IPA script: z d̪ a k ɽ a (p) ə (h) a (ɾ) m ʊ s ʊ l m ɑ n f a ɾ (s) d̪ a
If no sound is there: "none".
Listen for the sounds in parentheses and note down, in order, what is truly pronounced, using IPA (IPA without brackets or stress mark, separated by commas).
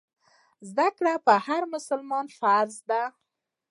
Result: p, h, ɾ, z